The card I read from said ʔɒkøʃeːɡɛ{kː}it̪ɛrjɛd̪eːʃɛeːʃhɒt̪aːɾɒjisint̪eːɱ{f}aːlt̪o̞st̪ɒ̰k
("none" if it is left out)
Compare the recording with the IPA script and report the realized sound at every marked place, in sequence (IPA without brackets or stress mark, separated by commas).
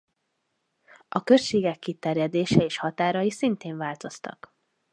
kː, v